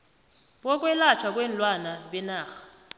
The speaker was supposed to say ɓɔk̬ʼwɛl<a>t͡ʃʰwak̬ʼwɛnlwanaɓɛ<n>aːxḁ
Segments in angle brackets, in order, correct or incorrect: correct, correct

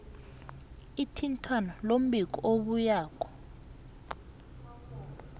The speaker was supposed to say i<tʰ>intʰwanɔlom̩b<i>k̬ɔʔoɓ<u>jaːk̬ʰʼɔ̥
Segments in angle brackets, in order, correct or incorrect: correct, correct, correct

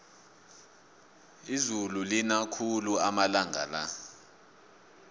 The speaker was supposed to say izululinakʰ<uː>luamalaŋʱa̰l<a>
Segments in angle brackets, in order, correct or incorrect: incorrect, correct

